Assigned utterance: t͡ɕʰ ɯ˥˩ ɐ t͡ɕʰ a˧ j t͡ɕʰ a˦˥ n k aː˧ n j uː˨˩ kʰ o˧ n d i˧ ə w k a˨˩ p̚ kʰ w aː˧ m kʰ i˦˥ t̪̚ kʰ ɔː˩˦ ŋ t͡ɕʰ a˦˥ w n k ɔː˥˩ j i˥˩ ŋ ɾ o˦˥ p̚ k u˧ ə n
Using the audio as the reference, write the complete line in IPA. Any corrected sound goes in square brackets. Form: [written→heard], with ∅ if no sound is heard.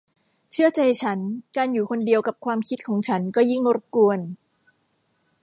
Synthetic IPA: t͡ɕʰ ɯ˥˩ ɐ [t͡ɕʰ→t͡ɕ] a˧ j t͡ɕʰ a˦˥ n k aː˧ n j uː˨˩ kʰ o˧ n d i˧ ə w k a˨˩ p̚ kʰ w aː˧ m kʰ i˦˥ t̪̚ kʰ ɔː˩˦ ŋ t͡ɕʰ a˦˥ [w→∅] n k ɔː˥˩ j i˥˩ ŋ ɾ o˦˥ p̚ k u˧ ə n